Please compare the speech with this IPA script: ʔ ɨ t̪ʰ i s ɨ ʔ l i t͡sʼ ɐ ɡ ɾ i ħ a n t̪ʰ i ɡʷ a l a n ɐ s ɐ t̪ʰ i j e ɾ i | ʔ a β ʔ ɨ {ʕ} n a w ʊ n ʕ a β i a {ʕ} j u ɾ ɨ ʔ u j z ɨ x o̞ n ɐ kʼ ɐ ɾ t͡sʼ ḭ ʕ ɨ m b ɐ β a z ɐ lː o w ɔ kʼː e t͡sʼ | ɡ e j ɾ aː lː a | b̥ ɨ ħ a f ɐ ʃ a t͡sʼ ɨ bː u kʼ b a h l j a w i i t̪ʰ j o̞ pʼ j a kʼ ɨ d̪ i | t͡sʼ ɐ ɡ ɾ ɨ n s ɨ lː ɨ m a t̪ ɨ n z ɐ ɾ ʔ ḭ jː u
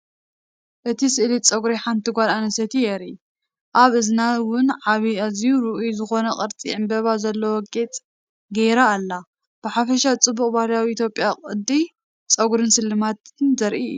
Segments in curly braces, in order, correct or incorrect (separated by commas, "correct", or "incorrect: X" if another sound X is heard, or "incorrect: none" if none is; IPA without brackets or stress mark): incorrect: z, incorrect: z